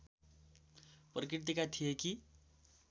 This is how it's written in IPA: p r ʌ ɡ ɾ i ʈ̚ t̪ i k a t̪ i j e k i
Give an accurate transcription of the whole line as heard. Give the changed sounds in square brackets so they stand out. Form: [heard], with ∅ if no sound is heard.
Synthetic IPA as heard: p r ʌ [k] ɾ i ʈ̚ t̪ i k a [t̪ʰ] i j e k i